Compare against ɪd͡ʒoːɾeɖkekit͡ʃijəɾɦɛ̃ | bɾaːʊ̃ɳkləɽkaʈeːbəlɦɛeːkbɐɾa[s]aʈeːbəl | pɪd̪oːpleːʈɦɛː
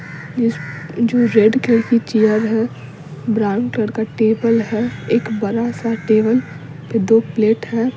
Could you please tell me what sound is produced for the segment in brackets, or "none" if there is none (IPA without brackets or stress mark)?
s